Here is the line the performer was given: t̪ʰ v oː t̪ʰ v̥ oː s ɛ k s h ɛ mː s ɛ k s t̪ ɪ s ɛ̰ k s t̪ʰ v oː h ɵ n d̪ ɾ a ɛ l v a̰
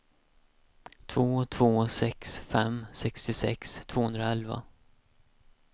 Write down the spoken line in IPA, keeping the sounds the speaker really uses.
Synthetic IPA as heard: t̪ʰ v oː t̪ʰ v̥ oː s ɛ k s f ɛ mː s ɛ k s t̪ ɪ s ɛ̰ k s t̪ʰ v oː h ɵ n d̪ ɾ a ɛ l v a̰